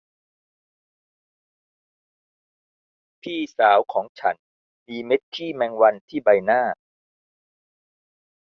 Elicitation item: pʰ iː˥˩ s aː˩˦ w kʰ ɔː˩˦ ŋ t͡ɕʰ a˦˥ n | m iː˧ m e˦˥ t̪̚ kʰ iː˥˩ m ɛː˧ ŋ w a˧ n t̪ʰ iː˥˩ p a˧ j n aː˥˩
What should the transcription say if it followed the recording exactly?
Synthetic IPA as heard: pʰ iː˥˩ s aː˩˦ w kʰ ɔː˩˦ ŋ t͡ɕʰ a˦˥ n | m iː˧ m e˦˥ t̪̚ kʰ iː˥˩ m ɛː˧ ŋ w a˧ n t̪ʰ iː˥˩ b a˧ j n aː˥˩

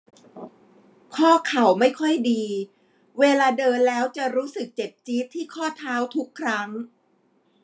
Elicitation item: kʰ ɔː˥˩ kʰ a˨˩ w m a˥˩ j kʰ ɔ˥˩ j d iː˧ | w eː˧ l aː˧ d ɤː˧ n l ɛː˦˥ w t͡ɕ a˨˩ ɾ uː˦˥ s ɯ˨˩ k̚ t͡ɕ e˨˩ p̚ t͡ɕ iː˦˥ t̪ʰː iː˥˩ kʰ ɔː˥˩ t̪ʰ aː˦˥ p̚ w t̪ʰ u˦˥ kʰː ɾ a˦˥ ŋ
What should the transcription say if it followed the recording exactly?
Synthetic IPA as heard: kʰ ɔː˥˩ kʰ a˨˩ w m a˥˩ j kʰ ɔ˥˩ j d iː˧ | w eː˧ l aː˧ d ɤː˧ n l ɛː˦˥ w t͡ɕ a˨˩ ɾ uː˦˥ s ɯ˨˩ k̚ t͡ɕ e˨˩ p̚ t͡ɕ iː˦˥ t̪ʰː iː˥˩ kʰ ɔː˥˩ t̪ʰ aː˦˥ w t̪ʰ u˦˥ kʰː ɾ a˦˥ ŋ

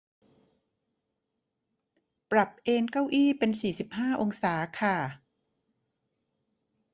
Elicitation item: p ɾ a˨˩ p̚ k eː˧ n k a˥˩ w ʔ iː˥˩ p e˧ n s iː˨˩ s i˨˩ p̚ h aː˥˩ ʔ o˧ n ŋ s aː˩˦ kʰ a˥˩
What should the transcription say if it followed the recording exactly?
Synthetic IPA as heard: p ɾ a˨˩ p̚ ʔ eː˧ n k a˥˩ w ʔ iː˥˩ p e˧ n s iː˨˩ s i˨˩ p̚ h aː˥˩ ʔ o˧ ŋ s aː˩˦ kʰ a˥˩

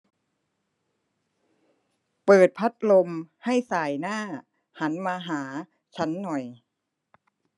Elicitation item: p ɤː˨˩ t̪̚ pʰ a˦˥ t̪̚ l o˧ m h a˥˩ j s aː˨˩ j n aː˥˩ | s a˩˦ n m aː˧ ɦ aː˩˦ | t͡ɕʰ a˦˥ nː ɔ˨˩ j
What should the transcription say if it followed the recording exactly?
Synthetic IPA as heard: p ɤː˨˩ t̪̚ pʰ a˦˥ t̪̚ l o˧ m h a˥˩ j s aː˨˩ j n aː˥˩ | h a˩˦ n m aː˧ ɦ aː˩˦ | t͡ɕʰ a˦˥ nː ɔ˨˩ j

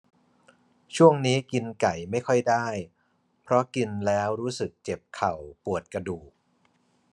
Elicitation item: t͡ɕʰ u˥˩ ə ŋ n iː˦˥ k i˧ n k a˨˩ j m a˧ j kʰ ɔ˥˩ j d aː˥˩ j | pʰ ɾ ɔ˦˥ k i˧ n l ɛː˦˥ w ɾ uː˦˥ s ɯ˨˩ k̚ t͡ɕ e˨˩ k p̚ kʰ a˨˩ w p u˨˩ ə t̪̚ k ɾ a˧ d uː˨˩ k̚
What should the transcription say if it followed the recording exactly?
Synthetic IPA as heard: t͡ɕʰ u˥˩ ə ŋ n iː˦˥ k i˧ n k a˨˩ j m a˥˩ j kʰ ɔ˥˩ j d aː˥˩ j | pʰ ɾ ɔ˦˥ k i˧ n l ɛː˦˥ w ɾ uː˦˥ s ɯ˨˩ k̚ t͡ɕ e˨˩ p̚ kʰ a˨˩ w p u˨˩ ə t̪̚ k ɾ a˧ d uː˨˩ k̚

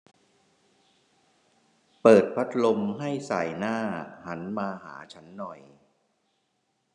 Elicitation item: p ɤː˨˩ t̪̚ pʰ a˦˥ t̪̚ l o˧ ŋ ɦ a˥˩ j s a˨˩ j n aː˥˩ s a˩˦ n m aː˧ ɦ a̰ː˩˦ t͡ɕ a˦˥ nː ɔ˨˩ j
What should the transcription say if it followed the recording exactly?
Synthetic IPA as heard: p ɤː˨˩ t̪̚ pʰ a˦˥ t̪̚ l o˧ m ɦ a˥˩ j s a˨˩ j n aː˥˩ h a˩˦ n m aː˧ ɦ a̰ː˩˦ t͡ɕʰ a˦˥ nː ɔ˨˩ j

